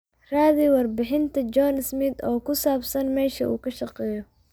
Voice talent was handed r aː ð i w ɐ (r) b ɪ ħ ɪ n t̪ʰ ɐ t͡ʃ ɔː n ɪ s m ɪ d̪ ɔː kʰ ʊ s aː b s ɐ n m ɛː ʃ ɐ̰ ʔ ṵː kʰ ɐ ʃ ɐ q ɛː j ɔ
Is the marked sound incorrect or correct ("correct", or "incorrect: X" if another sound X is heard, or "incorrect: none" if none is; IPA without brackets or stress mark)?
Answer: correct